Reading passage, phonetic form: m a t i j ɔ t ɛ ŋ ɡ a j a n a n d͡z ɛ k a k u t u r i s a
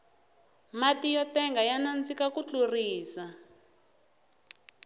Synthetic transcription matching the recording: m a t i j ɔ t ɛ ŋ ɡ a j a n a n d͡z i k a k u t͡ɬ u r iː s a